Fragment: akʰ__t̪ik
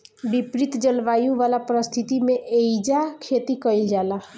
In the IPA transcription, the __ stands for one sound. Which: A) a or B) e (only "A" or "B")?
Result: B